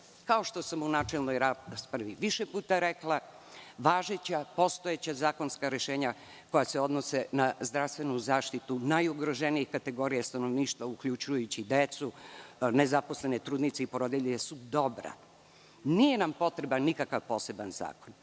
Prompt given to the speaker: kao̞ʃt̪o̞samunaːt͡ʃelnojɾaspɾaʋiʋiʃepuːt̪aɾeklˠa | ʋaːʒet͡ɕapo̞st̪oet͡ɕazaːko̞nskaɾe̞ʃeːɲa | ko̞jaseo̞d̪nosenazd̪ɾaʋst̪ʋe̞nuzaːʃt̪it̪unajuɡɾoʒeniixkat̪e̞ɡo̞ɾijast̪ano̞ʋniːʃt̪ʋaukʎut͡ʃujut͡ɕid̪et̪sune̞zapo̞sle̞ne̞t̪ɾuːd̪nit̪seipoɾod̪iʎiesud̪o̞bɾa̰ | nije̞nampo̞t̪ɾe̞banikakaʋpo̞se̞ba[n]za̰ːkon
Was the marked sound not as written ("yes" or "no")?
no